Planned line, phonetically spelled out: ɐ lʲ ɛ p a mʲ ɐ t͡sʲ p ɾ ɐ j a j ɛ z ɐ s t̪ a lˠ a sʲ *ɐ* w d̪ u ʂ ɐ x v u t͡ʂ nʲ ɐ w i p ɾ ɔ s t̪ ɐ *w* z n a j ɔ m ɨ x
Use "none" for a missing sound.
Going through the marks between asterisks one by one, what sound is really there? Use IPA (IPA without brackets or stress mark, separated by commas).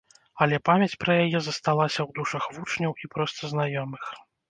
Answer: ɐ, none